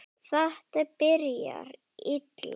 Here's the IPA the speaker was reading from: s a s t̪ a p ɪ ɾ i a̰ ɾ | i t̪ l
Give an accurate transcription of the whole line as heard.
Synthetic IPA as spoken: θ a h t̪ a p ɪ ɾ j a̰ ɾ | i t̪ l

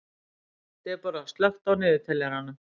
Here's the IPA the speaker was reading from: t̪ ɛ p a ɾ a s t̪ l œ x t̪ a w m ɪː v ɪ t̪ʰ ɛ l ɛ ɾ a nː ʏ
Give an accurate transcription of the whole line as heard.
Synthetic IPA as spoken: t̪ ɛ p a ɾ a s t̪ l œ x t̪ a w n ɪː ð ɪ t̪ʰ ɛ l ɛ ɾ a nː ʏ

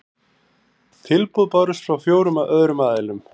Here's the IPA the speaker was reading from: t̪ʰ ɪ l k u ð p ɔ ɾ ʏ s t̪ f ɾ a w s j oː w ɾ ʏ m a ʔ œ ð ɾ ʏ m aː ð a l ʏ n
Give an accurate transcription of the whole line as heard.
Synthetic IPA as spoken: t̪ʰ ɪ l p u ð p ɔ ɾ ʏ s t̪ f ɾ a w f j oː w ɾ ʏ m a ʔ œ ð ɾ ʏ m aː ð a l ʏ m

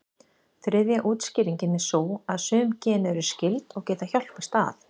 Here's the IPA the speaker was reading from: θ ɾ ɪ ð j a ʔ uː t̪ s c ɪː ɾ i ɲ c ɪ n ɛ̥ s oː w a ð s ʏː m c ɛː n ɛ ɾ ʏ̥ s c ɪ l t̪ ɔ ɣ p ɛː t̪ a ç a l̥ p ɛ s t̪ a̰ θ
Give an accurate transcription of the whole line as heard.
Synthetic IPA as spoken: θ ɾ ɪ ð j a ʔ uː t̪ s c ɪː ɾ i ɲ c ɪ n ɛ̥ s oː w a ð s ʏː m c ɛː n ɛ ɾ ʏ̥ s c ɪ l t̪ ɔ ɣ c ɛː t̪ a ç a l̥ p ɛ s t̪ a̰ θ

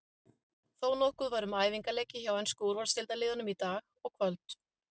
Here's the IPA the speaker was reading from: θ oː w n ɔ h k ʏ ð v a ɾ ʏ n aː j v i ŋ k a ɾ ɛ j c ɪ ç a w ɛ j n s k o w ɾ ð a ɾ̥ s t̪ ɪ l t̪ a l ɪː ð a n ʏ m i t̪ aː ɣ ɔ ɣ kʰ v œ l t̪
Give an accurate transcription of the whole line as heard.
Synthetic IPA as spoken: θ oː w n ɔ h k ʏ ð v a ɾ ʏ m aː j v i ŋ k a l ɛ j c ɪ ç a w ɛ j n s k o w ɾ v a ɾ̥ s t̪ ɪ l t̪ a l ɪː ð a n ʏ m i t̪ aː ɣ ɔ ɣ kʰ v œ l t̪

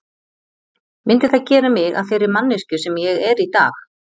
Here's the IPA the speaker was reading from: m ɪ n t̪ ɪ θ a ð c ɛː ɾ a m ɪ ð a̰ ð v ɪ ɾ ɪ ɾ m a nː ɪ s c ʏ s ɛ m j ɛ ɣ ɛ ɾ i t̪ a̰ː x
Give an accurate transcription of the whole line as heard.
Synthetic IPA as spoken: m ɪ n t̪ ɪ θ a ð c ɛː ɾ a m ɪ ɣ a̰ ð f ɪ ɾ ɪ ɾ m a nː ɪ s c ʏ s ɛ m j ɛ ɣ ɛ ɾ i t̪ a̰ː x

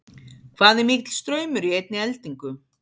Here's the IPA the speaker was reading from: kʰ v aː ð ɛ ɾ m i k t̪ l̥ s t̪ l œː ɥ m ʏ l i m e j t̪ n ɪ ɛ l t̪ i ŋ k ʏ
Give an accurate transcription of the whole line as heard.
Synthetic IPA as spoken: kʰ v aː ð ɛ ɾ m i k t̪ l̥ s t̪ ɾ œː ɥ m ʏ ɾ i e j t̪ n ɪ ɛ l t̪ i ŋ k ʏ

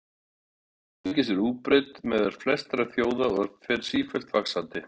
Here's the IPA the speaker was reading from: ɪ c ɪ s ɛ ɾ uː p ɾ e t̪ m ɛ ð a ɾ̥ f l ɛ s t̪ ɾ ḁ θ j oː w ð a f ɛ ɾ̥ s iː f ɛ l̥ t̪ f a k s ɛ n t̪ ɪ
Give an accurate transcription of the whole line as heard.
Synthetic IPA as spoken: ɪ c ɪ s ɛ ɾ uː p ɾ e t̪ m ɛ ð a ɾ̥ f l ɛ s t̪ ɾ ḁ θ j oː w ð a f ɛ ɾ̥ s iː f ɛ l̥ t̪ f a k s a n t̪ ɪ

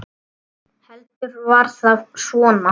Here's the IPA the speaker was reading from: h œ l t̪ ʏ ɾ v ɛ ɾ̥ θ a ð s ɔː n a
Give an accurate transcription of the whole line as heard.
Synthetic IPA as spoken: h ɛ l t̪ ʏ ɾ v a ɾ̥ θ a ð s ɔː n a

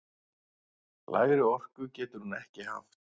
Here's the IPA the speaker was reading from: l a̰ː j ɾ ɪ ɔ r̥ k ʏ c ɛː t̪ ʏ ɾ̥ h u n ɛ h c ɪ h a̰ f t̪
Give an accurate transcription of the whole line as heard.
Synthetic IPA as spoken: l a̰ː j ɾ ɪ ɔ r̥ k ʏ c ɛː t̪ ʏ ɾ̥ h u n ɛ h c ɪ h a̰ f t̪

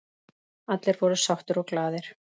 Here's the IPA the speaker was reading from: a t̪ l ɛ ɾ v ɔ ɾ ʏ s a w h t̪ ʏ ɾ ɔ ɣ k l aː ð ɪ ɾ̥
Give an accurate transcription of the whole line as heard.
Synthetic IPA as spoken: a t̪ l ɛ ɾ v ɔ ɾ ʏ s a w h t̪ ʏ ɾ ɔ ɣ k l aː ð ɪ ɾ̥

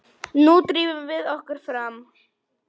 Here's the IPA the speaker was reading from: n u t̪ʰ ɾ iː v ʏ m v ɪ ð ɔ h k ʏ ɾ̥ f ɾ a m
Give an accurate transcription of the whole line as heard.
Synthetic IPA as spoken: n u t̪ ɾ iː v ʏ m v ɪ ð ɔ h k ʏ ɾ̥ f ɾ a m

